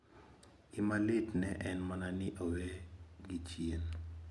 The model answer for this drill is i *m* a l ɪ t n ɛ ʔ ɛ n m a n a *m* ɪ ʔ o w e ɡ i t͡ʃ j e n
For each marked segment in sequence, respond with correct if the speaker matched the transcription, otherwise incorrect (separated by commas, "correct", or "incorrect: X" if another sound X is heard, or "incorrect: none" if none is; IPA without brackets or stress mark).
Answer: correct, incorrect: n